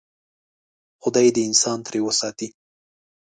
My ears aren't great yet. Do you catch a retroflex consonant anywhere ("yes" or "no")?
no